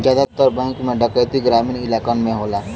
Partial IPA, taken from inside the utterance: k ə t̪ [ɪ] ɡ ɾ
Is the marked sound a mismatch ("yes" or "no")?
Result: yes